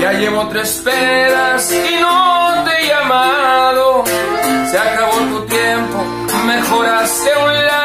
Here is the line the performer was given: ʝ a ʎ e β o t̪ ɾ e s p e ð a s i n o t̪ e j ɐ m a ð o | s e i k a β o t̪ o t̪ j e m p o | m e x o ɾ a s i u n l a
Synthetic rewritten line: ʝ a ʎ e β o t̪ ɾ e s p e ð a s i n o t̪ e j a m a ð o | s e a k a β o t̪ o t̪ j e m p o | m e x o ɾ a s e u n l a